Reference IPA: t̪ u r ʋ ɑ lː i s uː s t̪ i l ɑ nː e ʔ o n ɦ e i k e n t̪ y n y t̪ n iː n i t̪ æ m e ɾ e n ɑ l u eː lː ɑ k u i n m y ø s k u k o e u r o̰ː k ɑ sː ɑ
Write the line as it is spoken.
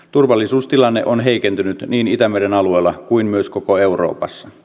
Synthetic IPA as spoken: t̪ u r ʋ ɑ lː i s uː s t̪ i l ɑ nː e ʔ o n ɦ e i k e n t̪ y n y t̪ n iː n i t̪ æ m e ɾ e n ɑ l u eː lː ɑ k u i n m y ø s k o k o e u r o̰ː p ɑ sː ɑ